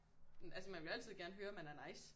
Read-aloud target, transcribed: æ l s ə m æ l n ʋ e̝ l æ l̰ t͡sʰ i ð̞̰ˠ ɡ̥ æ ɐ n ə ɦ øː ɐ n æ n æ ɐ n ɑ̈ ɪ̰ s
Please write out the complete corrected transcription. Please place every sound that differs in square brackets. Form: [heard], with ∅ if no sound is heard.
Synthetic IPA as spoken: æ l s ə m æ [∅] n ʋ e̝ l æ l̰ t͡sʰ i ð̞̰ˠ ɡ̥ æ ɐ n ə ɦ øː ɐ [m] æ n æ ɐ n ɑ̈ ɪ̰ s

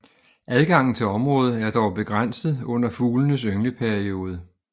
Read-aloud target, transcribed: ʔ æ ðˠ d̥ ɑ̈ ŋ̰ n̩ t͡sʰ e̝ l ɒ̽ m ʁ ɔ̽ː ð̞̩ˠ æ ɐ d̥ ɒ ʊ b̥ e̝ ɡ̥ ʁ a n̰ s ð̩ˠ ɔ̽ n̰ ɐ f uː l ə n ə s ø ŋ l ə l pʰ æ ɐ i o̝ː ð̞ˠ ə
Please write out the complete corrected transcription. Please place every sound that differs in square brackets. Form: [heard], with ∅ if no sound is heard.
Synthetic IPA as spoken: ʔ æ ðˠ [ɡ̥] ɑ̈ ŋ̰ n̩ t͡sʰ e̝ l ɒ̽ m ʁ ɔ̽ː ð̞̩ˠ æ ɐ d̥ ɒ ʊ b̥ e̝ ɡ̥ ʁ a n̰ s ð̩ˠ ɔ̽ n̰ ɐ f uː l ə n ə s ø ŋ l ə [∅] pʰ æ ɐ i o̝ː ð̞ˠ ə

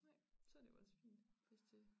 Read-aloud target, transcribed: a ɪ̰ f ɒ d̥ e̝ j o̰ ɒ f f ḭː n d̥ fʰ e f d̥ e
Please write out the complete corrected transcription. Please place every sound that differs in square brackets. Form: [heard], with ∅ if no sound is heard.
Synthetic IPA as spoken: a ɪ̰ [s] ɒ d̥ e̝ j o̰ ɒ [s] f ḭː n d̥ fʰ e [s] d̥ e

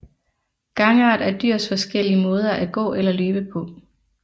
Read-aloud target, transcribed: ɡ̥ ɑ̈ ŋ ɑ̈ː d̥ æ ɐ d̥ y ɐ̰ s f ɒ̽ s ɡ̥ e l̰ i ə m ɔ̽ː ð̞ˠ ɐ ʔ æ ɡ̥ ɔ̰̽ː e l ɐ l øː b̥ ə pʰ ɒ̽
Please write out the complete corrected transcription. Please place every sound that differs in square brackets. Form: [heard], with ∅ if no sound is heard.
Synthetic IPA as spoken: ɡ̥ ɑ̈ ŋ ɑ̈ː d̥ æ ɐ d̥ y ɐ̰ s f ɒ̽ s ɡ̥ e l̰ i ə m ɔ̽ː ð̞ˠ ɐ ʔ æ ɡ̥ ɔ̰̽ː e l ɐ l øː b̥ ə pʰ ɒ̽

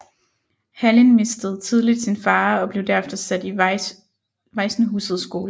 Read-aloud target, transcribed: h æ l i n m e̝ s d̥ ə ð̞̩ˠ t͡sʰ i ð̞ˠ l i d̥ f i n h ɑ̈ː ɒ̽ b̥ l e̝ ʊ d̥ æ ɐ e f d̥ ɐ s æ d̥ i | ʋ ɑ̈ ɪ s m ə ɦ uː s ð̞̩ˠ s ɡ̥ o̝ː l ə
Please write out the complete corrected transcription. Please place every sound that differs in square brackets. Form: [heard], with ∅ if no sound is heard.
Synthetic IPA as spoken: h æ l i n m e̝ s d̥ ə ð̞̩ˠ t͡sʰ i ð̞ˠ l i d̥ [s] i n [f] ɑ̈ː ɒ̽ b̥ l e̝ ʊ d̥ æ ɐ e f d̥ ɐ s æ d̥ i | ʋ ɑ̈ ɪ s [n] ə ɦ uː s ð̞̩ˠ s ɡ̥ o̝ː l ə

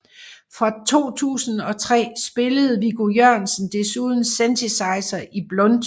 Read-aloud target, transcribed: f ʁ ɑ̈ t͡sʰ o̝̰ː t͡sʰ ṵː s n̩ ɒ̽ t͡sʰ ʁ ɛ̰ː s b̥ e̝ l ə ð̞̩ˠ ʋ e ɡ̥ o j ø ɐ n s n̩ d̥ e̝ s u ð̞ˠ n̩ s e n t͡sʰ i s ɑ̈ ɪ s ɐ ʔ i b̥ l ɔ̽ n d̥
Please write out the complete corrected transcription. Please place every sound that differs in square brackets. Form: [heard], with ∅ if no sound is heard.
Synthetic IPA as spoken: f ʁ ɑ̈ t͡sʰ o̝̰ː t͡sʰ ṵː s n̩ ɒ̽ t͡sʰ ʁ ɛ̰ː s b̥ e̝ l ə ð̞̩ˠ ʋ [i] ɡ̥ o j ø ɐ n s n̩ d̥ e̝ s u ð̞ˠ n̩ s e n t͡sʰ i s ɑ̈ ɪ s ɐ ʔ i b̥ l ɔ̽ n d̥

